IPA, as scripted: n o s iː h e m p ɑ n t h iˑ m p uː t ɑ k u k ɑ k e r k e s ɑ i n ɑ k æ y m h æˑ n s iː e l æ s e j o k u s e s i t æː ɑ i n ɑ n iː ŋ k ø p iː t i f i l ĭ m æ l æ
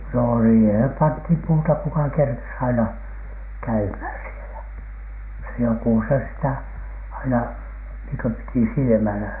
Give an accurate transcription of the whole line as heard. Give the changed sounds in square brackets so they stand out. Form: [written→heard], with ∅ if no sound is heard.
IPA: n o s iː h e m p ɑ n t h iˑ m p uː t ɑ k u k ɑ k e r k e s ɑ i n ɑ k æ y m h æˑ n s [iː→i] e l æ s e j o k u s e s i t [æː→æ] ɑ i n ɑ n iː ŋ k ø p [iː→i] t i [f→s] i l ĭ m æ l æ